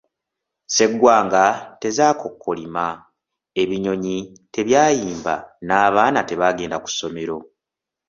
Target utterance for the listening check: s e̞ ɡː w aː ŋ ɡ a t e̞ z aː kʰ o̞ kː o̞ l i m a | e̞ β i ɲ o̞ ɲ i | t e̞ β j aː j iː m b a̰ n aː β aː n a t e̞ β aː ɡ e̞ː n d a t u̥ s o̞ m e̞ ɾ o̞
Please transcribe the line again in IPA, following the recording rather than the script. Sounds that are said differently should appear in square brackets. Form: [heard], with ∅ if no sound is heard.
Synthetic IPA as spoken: s e̞ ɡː w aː ŋ ɡ a t e̞ z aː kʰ o̞ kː o̞ l i m a | e̞ β i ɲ o̞ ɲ i | t e̞ β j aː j iː m b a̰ n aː β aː n a t e̞ β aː ɡ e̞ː n d a [k] u̥ s o̞ m e̞ ɾ o̞